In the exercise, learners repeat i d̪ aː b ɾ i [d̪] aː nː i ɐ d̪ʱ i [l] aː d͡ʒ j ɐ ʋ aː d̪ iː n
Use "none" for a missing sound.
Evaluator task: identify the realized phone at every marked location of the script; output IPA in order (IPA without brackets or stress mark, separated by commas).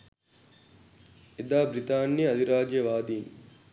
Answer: t̪, ɾ